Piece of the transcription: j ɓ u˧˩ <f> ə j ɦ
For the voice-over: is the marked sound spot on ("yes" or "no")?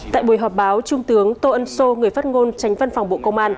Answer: no